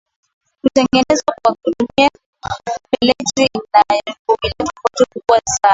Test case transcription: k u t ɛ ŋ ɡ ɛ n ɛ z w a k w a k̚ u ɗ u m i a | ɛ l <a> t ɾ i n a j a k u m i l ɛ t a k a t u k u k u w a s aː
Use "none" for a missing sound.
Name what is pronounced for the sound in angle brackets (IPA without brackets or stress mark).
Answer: ɛ